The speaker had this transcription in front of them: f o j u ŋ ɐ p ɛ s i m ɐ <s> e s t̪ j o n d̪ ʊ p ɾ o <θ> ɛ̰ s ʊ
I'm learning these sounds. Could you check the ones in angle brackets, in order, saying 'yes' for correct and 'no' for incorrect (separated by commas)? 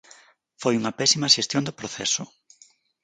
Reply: no, yes